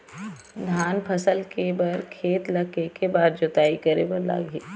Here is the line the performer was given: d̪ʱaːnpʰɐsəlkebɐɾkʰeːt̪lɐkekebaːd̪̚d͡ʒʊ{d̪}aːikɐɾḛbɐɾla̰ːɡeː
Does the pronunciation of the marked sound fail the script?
yes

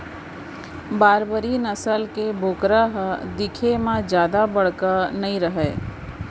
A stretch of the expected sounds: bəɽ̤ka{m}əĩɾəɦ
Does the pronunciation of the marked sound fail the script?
yes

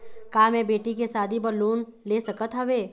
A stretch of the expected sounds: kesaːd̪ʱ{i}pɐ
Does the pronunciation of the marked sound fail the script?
no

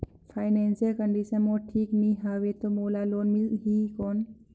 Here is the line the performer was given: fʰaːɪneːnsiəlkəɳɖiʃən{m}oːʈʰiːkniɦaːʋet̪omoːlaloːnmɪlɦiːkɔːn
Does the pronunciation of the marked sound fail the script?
no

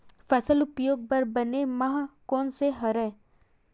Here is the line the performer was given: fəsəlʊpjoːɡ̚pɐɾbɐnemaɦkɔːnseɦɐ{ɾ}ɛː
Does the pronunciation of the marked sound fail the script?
no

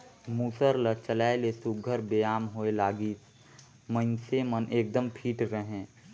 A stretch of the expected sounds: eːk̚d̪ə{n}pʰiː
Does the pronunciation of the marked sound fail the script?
yes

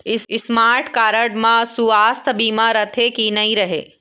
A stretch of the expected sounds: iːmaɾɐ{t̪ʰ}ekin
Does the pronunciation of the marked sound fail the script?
no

